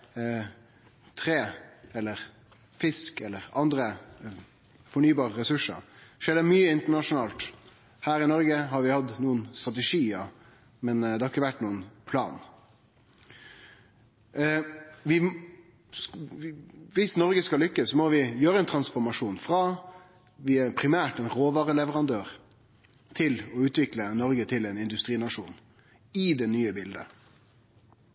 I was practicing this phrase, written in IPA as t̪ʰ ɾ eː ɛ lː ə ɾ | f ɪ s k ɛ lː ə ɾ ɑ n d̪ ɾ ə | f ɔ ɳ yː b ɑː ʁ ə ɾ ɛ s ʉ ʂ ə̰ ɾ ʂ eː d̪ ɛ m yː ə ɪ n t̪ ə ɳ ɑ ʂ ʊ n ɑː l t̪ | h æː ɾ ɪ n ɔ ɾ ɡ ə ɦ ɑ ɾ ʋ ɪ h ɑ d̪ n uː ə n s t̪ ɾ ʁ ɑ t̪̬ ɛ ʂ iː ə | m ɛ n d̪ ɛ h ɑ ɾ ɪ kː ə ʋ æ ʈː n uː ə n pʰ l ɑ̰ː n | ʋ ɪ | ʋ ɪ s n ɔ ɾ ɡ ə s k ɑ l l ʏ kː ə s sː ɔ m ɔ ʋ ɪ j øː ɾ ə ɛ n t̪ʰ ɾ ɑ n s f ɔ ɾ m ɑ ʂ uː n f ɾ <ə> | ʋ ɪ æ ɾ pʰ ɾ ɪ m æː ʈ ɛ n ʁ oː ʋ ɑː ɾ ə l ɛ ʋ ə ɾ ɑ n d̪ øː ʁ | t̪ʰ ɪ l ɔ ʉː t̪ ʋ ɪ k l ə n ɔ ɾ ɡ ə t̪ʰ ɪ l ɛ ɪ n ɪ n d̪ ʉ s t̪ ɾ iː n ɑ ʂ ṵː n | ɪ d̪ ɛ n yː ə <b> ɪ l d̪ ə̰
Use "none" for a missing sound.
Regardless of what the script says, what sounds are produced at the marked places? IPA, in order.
ɑ, b

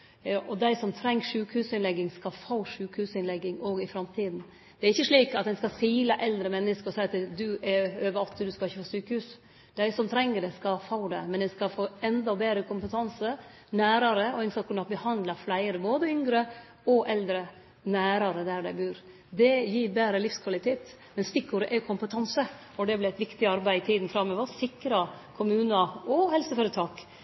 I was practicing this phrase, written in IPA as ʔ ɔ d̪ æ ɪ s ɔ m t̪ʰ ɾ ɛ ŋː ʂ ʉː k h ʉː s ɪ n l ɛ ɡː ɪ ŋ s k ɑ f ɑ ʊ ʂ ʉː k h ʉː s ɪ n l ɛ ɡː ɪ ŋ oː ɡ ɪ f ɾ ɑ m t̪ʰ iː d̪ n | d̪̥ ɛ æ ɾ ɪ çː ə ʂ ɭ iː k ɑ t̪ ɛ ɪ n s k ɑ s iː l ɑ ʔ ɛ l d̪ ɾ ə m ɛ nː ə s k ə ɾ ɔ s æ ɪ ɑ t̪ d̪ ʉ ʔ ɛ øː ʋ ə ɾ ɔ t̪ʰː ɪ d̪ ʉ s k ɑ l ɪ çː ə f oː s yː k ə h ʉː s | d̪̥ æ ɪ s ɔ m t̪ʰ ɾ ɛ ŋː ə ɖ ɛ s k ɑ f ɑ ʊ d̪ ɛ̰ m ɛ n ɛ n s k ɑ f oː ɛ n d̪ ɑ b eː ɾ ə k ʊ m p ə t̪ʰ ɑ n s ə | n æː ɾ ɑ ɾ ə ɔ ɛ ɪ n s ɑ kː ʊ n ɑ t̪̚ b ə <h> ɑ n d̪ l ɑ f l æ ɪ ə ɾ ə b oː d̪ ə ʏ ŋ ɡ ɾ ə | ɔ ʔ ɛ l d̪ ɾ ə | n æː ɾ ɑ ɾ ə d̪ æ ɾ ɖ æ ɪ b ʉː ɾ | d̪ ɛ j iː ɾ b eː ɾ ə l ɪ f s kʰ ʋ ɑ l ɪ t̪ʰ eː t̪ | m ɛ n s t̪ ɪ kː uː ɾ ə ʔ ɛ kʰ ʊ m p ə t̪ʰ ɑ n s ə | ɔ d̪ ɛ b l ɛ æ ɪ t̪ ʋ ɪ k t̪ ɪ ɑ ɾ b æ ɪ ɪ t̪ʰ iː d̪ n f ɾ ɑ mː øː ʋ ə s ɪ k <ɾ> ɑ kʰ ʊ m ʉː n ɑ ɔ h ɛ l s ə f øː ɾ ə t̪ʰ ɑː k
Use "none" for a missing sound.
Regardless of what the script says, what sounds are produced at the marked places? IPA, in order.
h, ɾ

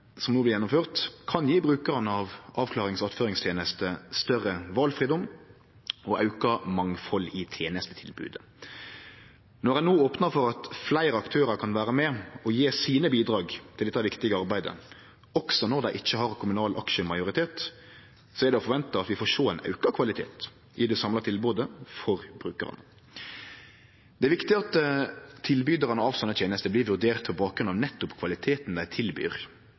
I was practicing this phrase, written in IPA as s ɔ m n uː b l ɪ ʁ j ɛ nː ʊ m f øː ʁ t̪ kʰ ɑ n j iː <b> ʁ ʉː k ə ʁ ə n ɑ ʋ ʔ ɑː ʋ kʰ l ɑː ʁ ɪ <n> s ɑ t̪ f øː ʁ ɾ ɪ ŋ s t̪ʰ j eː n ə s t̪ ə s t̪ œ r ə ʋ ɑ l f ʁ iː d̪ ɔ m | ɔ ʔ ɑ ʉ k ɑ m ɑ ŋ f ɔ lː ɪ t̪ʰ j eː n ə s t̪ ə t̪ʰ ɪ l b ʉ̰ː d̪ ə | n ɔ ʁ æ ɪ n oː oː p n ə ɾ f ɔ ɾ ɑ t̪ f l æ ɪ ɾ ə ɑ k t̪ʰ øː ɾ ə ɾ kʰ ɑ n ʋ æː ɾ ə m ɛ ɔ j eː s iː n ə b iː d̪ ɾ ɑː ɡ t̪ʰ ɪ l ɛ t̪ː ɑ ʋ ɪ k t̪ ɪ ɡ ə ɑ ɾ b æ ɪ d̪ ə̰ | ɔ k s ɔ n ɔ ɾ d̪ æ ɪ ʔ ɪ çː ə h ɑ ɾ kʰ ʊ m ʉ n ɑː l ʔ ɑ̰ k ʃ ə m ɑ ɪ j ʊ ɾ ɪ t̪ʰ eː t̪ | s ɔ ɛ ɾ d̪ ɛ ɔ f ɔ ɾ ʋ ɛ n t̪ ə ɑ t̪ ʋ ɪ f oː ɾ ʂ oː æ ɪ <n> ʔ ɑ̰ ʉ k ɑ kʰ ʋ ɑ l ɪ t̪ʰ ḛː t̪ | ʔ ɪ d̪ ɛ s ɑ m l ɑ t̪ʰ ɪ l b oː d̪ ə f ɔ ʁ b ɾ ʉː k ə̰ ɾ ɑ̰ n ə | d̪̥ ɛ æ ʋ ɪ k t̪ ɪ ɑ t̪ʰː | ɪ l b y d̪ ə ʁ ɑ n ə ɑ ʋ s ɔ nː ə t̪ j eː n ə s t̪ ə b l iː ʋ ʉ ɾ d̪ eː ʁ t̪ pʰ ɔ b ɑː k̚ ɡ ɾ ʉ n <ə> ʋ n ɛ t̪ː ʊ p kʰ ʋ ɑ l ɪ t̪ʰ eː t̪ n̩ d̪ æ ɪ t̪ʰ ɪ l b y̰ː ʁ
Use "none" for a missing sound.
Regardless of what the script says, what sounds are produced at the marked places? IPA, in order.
b, ŋ, n, ɑ

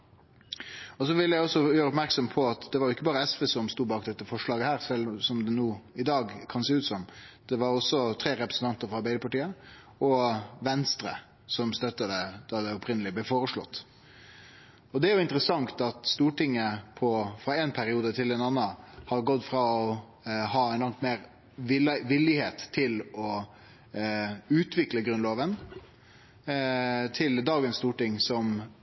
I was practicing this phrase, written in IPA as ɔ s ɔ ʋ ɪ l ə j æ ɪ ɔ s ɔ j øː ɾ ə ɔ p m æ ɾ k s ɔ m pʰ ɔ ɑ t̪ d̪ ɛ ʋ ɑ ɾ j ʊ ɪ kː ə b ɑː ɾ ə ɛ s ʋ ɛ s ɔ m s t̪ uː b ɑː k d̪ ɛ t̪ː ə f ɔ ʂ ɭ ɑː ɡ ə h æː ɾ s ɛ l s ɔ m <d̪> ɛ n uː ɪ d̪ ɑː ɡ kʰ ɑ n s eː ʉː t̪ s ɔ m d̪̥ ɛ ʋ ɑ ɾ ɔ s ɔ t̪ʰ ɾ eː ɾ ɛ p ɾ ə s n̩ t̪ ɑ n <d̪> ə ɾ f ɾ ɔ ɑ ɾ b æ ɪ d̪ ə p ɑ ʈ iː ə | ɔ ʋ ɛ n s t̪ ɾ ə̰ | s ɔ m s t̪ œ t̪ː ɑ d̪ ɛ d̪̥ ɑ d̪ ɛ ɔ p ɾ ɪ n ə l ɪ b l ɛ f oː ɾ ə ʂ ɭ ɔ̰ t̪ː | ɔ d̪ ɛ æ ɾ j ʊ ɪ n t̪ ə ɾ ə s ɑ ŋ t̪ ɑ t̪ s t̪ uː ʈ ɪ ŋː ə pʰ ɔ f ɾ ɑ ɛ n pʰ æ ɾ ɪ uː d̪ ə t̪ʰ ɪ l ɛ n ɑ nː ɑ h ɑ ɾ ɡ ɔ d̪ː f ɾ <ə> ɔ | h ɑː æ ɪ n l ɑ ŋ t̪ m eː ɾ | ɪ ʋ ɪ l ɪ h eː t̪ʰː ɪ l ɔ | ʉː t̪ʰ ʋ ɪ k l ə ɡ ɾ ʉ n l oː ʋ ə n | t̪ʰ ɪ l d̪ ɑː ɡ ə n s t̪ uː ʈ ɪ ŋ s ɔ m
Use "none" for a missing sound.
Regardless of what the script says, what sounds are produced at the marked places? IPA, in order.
d̪, t̪, ɑ

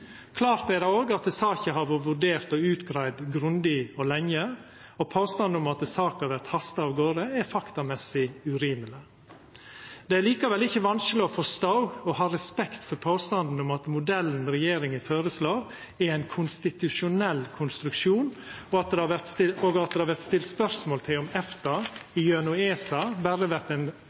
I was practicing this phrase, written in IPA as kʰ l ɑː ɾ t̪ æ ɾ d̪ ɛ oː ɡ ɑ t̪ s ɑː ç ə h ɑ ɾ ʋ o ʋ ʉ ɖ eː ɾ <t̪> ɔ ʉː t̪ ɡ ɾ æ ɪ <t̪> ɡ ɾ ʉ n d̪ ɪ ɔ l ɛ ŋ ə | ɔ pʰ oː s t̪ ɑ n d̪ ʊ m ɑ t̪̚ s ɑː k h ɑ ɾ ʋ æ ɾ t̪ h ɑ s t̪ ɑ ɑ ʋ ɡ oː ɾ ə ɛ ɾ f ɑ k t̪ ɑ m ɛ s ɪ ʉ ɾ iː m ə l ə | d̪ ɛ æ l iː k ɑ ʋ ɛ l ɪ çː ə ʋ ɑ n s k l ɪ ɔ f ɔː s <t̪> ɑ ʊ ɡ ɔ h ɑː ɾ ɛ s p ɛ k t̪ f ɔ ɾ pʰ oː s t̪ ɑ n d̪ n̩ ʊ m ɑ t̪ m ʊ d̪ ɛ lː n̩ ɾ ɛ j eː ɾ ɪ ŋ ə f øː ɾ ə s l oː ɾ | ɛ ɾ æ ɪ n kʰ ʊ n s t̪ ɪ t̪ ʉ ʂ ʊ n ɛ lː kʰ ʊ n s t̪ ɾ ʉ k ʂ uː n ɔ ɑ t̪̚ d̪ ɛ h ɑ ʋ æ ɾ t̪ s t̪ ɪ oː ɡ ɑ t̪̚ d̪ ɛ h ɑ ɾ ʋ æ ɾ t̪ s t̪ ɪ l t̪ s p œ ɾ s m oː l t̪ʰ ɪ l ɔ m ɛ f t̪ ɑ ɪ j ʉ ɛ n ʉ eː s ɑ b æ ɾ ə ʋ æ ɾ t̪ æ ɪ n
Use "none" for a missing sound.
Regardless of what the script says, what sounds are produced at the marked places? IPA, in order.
t̪, d̪, t̪

